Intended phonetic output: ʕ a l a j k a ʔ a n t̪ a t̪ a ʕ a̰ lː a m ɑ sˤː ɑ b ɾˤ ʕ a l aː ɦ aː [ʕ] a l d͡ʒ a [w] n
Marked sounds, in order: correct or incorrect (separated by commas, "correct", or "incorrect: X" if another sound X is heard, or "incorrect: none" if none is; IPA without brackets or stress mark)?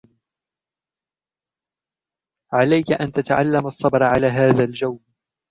incorrect: ð, correct